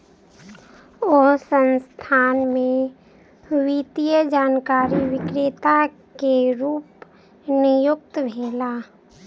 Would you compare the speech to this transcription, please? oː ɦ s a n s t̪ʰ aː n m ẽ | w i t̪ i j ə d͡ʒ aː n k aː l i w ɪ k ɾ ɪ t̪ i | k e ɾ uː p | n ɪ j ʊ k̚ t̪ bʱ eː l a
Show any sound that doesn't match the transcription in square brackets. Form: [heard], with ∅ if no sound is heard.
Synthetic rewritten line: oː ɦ s [ə] n s t̪ʰ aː n m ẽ | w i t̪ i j ə d͡ʒ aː n k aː [ɾ] i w ɪ k ɾ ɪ t̪ [a] | k e ɾ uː p | n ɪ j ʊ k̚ t̪ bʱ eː l a

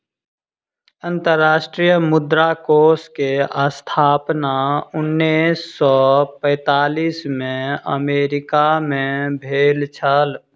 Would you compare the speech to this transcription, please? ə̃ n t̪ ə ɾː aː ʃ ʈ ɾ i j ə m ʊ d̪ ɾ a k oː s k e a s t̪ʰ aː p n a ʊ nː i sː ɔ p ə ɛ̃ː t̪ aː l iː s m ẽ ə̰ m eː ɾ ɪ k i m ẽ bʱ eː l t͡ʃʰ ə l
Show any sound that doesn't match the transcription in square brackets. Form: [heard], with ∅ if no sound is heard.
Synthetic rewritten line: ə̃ n t̪ ə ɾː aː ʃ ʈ ɾ i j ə m ʊ d̪ ɾ a k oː s k e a s t̪ʰ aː p n a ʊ nː i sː ɔ p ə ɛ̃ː t̪ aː l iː s m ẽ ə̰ m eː ɾ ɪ k [a] m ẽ bʱ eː l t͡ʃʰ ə l

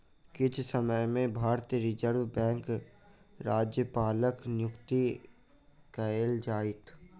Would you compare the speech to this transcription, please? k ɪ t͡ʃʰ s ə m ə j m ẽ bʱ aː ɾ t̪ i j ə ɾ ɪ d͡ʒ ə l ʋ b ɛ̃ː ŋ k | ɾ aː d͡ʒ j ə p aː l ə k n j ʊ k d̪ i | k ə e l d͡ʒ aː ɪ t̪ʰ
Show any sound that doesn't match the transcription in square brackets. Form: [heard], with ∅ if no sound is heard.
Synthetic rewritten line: k ɪ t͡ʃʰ s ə m ə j m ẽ bʱ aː ɾ t̪ i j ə ɾ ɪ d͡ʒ ə [ɾ] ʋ b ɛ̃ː ŋ k | ɾ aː d͡ʒ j ə p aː l ə k n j ʊ k [t̪] i | k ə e l d͡ʒ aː ɪ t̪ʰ

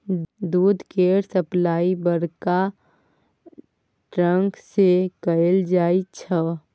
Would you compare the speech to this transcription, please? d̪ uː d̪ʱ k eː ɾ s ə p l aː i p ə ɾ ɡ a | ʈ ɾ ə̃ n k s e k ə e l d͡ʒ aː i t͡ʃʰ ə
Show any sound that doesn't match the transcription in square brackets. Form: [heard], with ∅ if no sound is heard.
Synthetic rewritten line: d̪ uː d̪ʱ k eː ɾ s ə p l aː i [b] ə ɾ [k] a | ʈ ɾ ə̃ [ŋ] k s e k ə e l d͡ʒ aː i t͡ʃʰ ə

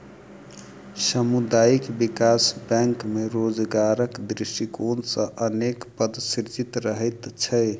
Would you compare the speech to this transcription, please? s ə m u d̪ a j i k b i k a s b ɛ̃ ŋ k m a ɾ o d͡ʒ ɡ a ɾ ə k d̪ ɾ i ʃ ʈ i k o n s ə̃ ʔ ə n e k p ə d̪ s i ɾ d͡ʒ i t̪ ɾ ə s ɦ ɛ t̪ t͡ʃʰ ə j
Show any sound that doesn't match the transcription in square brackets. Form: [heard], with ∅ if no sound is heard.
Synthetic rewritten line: s ə m u d̪ a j i k b i k a s b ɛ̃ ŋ k m [e] ɾ o d͡ʒ ɡ a ɾ ə k d̪ ɾ i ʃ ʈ i k o n s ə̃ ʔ ə n e k p ə d̪ s i ɾ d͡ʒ i t̪ ɾ ə [∅] ɦ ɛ t̪ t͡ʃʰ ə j

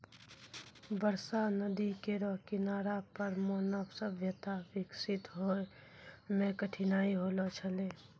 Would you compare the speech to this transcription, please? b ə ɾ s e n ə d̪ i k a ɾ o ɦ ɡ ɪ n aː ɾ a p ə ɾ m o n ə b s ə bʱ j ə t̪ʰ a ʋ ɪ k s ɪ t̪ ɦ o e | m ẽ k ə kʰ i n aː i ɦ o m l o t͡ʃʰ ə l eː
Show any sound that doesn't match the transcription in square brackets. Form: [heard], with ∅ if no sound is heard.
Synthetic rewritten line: b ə ɾ s [a] n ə d̪ i k [e] ɾ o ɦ [k] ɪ n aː ɾ a p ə ɾ m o n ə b s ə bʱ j ə [t̪] a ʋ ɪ k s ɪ t̪ ɦ o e | m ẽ k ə [ʈʰ] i n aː i ɦ o [∅] l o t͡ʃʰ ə l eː

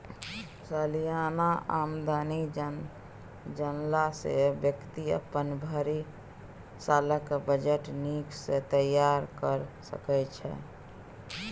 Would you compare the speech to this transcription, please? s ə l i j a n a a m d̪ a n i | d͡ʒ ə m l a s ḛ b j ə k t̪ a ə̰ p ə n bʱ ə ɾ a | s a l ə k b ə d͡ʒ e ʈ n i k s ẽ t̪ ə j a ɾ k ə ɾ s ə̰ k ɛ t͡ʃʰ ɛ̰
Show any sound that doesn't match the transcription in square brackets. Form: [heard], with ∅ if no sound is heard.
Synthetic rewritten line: s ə l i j a n a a m d̪ a n i | d͡ʒ ə [n] l a s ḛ b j ə k t̪ [i] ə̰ p ə n bʱ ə ɾ [i] | s a l ə k b ə d͡ʒ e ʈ n i k s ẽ t̪ ə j a ɾ k ə ɾ s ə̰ k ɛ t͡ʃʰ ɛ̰

